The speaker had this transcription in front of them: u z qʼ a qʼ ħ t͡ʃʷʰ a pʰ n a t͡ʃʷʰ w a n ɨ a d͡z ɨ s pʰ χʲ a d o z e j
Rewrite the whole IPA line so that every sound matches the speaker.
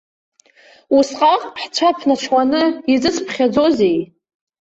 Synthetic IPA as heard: u s qʼ a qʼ ħ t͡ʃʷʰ a pʰ n a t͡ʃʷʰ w a n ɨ i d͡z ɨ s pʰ χʲ a d͡z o z e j